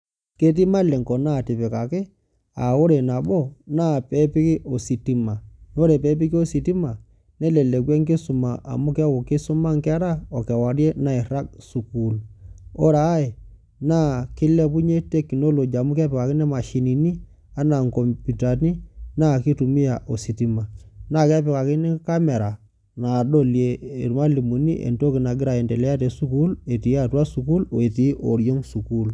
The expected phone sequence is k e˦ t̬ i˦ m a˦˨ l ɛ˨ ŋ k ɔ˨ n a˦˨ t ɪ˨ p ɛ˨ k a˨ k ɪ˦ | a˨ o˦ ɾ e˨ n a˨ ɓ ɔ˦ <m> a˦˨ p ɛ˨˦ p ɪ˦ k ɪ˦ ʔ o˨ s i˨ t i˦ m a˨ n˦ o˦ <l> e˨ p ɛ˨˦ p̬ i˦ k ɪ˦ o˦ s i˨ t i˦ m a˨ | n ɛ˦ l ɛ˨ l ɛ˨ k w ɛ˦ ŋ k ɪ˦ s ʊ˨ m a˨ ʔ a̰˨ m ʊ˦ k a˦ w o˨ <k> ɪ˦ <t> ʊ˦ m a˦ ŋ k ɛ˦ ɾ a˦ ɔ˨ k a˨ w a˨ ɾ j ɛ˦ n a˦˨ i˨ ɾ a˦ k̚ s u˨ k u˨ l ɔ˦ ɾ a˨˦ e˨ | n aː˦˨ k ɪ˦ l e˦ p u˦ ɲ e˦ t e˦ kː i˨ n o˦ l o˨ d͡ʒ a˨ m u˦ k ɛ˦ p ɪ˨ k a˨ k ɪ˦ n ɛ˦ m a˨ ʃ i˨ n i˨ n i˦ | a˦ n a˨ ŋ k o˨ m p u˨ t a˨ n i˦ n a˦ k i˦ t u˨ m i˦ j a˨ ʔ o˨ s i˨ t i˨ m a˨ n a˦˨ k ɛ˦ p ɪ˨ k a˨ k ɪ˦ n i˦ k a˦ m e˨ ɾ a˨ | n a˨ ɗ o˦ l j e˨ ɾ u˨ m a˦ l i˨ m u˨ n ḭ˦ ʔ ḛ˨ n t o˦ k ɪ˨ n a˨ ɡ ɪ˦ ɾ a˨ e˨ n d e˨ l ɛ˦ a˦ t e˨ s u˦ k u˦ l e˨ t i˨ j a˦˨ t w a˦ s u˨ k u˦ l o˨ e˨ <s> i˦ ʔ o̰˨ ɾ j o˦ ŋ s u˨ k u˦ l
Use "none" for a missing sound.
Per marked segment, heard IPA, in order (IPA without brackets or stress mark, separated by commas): n, ɾ, k, s, t